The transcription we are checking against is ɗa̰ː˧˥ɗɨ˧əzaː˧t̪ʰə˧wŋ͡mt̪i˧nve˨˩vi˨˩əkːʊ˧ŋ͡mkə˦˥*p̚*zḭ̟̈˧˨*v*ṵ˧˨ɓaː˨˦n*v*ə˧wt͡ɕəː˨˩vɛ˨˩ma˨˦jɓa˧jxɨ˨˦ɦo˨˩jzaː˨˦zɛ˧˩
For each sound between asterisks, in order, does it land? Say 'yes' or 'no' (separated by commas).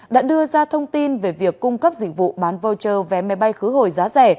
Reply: yes, yes, yes